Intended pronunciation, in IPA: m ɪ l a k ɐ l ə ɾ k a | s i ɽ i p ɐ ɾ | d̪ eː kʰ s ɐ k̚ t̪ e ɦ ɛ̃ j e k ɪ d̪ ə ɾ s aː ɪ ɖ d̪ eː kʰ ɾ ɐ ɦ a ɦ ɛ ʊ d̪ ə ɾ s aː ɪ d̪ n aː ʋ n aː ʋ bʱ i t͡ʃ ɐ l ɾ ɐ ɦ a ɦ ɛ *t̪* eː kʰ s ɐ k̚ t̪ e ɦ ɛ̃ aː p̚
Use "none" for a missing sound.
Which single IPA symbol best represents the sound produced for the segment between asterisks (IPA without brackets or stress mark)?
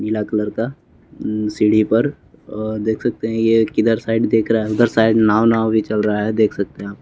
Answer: d̪